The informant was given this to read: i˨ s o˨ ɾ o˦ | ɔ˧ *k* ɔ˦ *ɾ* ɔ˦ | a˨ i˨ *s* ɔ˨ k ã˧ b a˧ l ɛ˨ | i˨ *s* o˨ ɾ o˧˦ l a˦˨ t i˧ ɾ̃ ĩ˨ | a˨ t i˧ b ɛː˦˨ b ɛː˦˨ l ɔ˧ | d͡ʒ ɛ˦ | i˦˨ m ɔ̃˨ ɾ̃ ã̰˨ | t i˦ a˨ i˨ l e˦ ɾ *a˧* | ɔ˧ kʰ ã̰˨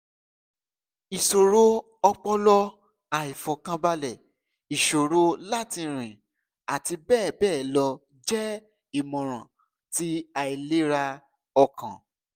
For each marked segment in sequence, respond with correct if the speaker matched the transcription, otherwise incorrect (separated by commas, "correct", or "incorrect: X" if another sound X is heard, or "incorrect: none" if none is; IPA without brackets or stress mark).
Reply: incorrect: k͡p, incorrect: l, incorrect: f, incorrect: ʃ, correct